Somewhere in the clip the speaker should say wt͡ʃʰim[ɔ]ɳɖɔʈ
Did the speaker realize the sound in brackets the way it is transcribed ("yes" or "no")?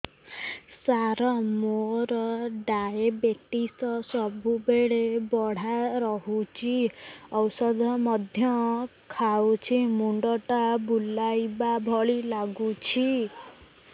no